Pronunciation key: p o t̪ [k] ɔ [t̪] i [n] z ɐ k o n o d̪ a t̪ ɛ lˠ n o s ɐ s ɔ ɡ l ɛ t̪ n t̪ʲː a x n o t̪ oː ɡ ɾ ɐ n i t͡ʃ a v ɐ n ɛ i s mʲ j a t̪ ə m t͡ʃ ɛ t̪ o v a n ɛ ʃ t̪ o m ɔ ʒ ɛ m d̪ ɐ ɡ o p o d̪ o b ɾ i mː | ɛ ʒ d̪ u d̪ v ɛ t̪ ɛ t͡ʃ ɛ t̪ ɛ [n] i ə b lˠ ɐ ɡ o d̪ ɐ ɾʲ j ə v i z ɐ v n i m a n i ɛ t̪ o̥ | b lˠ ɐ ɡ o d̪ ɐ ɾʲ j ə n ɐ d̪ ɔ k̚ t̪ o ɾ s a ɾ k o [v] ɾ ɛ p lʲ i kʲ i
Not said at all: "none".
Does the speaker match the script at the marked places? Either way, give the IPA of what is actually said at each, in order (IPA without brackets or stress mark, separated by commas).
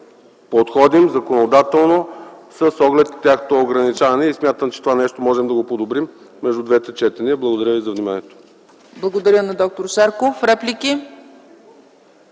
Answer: x, d̪, m, n, f